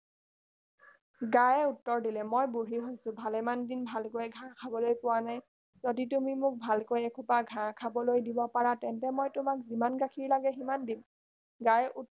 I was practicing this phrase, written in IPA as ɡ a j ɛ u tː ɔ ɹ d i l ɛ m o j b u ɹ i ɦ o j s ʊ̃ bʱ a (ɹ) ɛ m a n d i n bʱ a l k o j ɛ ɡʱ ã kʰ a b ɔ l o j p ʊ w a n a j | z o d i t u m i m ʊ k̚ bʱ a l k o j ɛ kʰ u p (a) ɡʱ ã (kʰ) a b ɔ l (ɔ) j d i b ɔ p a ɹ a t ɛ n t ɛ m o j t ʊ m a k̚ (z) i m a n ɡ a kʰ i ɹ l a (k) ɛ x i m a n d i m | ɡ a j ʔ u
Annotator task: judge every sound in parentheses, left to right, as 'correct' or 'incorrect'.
incorrect: l, correct, correct, incorrect: o, correct, incorrect: ɡ

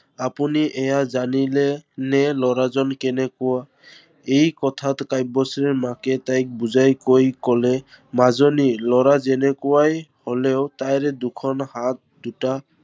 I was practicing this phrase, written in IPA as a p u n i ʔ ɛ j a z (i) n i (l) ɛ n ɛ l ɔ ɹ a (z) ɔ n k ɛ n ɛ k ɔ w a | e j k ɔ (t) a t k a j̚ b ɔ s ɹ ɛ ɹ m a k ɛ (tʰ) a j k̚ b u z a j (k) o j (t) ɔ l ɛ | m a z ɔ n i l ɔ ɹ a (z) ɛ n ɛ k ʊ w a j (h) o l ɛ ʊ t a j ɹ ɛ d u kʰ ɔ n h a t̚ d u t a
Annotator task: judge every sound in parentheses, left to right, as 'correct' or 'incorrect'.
incorrect: a, correct, correct, incorrect: tʰ, incorrect: t, correct, incorrect: k, correct, correct

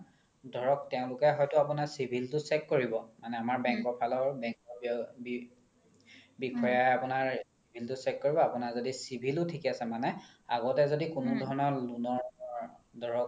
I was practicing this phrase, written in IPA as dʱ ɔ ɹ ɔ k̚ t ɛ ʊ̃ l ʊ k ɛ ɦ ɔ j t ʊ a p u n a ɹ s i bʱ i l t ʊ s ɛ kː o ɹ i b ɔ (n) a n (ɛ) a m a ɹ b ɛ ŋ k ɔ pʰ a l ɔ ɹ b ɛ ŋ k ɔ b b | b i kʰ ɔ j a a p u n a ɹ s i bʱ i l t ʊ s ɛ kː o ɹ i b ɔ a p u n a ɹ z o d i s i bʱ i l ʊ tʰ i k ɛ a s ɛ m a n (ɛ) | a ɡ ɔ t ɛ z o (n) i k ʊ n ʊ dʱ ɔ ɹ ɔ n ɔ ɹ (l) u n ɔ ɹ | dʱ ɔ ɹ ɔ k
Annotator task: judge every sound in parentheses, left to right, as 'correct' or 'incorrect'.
incorrect: m, correct, correct, incorrect: d, correct

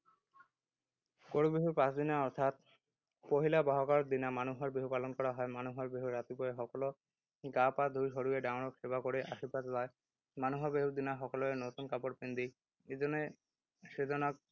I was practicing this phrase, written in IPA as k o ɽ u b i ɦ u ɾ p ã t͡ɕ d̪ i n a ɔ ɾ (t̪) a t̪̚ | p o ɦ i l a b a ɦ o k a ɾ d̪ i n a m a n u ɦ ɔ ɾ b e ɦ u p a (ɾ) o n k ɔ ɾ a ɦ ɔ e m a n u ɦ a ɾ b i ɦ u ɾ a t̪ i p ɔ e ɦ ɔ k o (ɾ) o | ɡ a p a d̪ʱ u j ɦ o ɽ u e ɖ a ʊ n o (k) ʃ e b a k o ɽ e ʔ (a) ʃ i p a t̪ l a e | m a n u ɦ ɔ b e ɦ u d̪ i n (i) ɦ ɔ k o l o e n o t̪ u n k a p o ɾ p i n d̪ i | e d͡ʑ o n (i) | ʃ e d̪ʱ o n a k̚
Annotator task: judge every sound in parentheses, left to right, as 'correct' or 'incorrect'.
incorrect: t̪ʰ, incorrect: l, incorrect: l, correct, correct, incorrect: a, incorrect: e

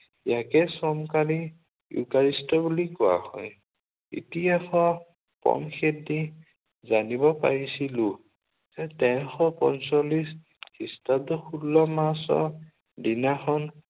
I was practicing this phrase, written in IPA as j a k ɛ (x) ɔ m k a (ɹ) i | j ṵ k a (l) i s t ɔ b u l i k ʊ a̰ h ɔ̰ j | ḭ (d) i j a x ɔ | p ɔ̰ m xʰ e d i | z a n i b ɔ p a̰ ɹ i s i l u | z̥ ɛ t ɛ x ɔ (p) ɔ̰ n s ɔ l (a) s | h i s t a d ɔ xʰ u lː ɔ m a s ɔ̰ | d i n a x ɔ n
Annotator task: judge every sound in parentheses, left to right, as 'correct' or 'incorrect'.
incorrect: s, incorrect: l, incorrect: ɹ, incorrect: t, correct, incorrect: i

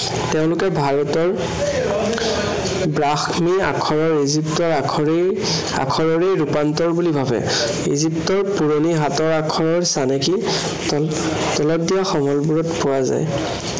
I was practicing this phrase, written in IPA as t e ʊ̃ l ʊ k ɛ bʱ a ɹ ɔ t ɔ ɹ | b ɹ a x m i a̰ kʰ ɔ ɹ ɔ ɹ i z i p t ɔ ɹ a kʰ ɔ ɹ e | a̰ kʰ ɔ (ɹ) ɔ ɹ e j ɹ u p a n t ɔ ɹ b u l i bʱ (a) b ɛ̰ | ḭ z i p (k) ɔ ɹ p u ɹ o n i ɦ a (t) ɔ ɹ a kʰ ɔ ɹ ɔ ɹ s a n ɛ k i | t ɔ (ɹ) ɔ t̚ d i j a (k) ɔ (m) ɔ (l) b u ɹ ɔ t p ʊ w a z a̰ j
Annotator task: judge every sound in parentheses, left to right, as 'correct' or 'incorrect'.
correct, correct, incorrect: t, correct, incorrect: l, incorrect: x, correct, correct

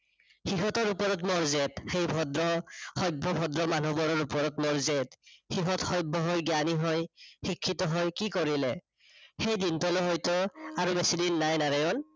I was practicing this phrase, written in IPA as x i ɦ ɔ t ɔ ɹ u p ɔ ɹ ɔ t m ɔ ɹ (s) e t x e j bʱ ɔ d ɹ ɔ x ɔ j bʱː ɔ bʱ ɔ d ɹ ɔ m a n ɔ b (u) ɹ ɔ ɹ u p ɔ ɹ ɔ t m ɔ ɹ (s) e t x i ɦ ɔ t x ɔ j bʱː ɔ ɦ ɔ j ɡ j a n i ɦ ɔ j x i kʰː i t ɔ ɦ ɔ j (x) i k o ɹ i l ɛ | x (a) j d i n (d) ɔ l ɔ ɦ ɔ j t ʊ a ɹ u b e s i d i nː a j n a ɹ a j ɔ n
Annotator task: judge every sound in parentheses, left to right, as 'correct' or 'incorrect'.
incorrect: z, incorrect: ɔ, incorrect: z, incorrect: k, incorrect: e, incorrect: t

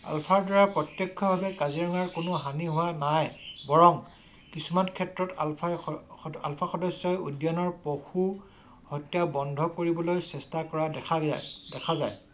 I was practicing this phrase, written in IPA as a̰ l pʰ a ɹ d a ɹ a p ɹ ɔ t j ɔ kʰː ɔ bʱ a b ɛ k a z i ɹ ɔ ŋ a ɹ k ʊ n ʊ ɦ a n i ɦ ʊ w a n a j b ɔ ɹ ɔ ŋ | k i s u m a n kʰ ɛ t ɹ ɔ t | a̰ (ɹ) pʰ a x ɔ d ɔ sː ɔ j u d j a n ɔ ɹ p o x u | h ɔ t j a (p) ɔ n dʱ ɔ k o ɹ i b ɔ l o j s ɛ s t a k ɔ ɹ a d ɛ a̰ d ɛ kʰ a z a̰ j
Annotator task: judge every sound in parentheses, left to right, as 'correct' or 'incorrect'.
incorrect: l, incorrect: b

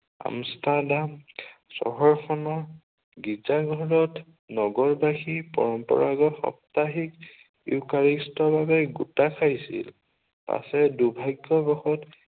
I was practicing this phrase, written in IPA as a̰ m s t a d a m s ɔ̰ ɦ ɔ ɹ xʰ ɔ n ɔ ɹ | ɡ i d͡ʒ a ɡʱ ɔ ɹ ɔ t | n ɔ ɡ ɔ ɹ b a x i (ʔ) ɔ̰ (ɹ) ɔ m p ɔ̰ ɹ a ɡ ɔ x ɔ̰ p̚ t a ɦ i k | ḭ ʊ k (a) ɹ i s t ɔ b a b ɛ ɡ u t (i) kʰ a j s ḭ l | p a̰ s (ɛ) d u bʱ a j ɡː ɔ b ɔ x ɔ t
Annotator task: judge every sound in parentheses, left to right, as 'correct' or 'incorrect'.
incorrect: p, correct, correct, incorrect: a, correct

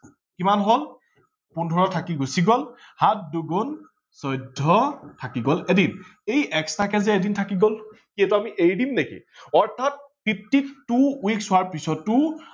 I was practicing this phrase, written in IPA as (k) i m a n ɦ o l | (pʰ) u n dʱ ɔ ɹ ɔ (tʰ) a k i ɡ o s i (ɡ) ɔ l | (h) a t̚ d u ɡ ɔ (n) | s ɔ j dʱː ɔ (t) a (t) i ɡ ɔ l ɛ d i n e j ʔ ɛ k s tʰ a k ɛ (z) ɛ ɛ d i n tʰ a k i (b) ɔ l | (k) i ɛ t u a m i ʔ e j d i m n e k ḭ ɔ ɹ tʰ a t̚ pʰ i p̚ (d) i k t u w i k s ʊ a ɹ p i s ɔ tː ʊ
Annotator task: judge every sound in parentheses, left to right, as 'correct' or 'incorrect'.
correct, incorrect: p, correct, correct, correct, correct, incorrect: tʰ, incorrect: k, correct, incorrect: ɡ, correct, incorrect: t

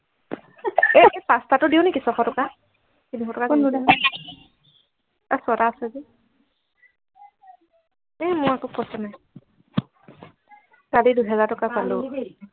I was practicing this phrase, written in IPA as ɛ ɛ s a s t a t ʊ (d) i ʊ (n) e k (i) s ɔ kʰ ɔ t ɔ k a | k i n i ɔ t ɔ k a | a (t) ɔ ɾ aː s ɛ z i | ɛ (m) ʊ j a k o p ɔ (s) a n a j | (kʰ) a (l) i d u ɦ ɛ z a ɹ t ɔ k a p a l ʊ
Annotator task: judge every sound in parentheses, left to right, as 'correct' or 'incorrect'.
correct, correct, correct, incorrect: s, correct, correct, incorrect: k, correct

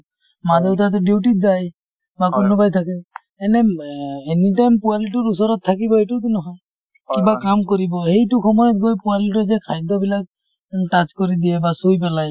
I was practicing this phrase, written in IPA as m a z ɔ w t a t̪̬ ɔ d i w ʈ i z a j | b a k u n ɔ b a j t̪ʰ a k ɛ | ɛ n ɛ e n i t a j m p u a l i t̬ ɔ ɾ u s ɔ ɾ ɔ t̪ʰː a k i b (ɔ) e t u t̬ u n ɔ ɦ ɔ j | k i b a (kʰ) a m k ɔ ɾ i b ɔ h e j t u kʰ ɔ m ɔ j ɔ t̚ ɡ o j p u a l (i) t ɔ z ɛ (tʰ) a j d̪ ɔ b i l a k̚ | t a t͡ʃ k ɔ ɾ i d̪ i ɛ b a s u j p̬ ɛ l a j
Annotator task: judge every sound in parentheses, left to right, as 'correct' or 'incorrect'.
correct, incorrect: k, correct, incorrect: kʰ

